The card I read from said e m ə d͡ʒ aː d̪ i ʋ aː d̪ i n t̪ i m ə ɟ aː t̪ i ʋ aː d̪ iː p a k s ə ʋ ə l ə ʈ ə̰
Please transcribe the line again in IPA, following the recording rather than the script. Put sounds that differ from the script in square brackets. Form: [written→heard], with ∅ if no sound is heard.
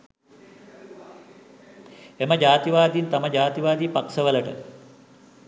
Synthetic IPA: e m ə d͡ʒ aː [d̪→t̪] i ʋ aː d̪ i n t̪ [i→a] m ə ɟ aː t̪ i ʋ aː d̪ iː p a k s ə ʋ ə l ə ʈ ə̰